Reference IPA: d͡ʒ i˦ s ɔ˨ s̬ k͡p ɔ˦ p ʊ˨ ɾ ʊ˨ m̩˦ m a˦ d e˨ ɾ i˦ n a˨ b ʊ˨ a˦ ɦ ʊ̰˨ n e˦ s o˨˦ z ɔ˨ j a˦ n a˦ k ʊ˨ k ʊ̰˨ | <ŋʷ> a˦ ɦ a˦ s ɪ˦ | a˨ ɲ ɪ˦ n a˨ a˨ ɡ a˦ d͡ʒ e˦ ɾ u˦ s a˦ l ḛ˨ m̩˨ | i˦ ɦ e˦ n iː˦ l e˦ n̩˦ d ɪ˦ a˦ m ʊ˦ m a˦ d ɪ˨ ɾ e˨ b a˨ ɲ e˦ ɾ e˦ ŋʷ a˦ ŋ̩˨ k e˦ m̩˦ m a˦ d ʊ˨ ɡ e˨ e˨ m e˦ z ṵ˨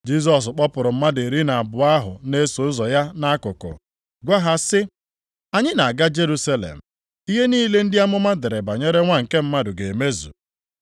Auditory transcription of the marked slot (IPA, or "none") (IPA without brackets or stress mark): ɡʷ